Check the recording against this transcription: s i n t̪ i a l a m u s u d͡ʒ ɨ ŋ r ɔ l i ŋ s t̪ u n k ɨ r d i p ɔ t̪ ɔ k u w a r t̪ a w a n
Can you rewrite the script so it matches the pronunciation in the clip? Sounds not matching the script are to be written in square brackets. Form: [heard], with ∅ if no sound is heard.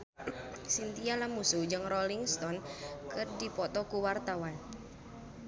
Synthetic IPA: s i n t̪ i a l a m u s u d͡ʒ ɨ ŋ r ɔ l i ŋ s t̪ [ɔ] n k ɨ r d i p ɔ t̪ ɔ k u w a r t̪ a w a n